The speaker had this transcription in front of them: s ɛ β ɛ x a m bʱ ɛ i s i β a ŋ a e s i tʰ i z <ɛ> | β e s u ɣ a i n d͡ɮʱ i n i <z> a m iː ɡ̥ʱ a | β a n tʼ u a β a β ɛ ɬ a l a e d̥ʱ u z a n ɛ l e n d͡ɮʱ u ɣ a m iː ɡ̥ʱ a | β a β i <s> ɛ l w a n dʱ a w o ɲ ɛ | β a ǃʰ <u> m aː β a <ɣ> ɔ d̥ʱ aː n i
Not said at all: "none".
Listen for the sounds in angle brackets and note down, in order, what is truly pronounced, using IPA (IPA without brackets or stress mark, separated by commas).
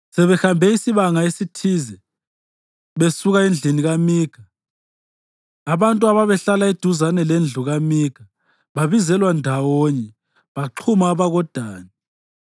ɛ, ɣ, z, u, ɣ